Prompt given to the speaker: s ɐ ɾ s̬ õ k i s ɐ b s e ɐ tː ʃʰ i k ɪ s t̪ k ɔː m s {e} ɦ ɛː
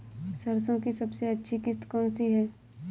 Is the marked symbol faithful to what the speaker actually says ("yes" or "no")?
no